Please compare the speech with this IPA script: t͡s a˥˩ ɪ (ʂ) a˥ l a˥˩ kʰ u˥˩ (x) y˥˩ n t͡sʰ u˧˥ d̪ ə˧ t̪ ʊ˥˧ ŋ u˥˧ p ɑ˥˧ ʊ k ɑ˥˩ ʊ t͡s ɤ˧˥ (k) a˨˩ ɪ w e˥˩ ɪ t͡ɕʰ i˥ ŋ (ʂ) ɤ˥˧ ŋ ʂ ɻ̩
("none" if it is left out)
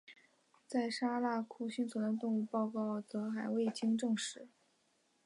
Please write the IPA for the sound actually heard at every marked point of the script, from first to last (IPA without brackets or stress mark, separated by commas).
ʂ, ɕ, x, ʈ͡ʂ